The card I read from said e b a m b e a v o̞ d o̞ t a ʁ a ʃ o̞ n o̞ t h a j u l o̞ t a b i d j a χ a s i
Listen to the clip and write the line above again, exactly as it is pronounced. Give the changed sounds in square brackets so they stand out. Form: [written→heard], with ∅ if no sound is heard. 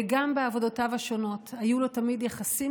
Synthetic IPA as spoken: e [b→ɡ] a m b e a v o̞ d o̞ t a [ʁ→v] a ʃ o̞ n o̞ t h a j u l o̞ t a [b→m] i d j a χ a s i

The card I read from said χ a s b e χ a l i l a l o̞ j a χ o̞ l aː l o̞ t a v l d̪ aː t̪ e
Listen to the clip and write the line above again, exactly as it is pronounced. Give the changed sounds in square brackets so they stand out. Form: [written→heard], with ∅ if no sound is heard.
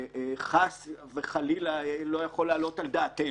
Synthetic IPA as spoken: χ a s [b→v] e χ a l i l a l o̞ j a χ o̞ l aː l o̞ t a [v→∅] l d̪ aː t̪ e

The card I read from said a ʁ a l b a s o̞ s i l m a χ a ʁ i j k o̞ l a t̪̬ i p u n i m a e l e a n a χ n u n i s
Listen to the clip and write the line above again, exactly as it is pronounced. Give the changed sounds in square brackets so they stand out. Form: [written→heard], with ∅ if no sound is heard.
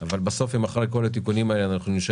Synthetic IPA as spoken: a [ʁ→v] a l b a s o̞ [s→f] i [l→∅] m a χ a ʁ [i→e] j k o̞ l a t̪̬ i [p→k] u n i m a e l e a n a χ n u n i [s→ʃ]

